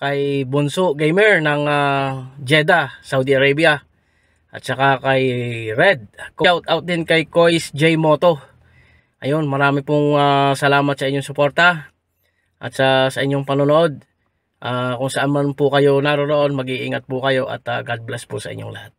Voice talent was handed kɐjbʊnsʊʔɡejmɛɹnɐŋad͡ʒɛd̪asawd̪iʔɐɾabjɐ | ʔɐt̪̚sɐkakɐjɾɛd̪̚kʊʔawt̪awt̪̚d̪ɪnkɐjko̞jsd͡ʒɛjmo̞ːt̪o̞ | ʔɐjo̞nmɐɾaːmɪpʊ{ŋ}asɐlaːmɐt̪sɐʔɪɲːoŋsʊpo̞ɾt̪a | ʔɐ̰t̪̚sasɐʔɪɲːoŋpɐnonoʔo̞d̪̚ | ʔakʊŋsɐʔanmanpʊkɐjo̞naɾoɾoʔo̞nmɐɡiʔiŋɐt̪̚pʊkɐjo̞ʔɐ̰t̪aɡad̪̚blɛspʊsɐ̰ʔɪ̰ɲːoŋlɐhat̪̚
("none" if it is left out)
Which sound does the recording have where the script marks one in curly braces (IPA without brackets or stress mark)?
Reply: ŋ